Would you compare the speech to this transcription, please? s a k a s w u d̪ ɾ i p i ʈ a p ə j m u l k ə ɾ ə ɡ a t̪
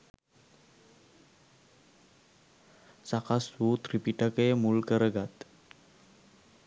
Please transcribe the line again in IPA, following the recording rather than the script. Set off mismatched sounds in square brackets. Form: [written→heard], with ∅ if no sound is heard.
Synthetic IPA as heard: s a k a s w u [d̪→t̪] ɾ i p i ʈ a [p→k] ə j m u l k ə ɾ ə ɡ a t̪